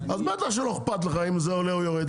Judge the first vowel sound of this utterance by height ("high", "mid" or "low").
low